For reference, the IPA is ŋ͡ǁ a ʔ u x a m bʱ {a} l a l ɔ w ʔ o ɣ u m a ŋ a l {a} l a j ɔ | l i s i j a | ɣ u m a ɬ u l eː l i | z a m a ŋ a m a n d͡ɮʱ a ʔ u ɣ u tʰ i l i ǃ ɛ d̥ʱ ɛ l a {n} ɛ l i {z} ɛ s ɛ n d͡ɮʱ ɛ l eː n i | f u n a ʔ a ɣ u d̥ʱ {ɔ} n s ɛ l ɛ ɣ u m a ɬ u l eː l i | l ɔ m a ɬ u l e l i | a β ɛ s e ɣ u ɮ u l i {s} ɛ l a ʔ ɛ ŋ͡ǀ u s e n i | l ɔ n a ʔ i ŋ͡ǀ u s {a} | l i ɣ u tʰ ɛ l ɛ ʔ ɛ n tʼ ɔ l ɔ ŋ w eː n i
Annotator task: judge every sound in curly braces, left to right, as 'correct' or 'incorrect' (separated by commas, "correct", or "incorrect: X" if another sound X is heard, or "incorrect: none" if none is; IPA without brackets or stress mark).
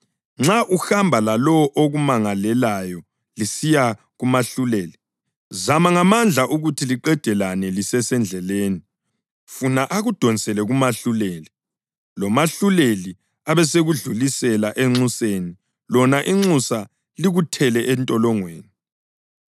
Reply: correct, incorrect: ɛ, correct, incorrect: s, correct, correct, correct